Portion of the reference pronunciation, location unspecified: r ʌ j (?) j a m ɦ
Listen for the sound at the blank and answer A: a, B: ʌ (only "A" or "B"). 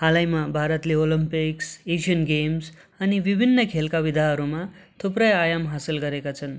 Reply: A